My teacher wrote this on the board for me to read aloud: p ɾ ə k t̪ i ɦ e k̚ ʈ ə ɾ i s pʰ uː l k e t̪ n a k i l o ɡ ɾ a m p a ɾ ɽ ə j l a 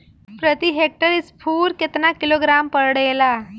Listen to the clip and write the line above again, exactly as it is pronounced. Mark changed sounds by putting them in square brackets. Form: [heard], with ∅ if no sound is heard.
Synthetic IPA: p ɾ ə [∅] t̪ i ɦ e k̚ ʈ ə ɾ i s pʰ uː [ɾ] k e t̪ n a k i l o ɡ ɾ a m p [ə] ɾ ɽ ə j l a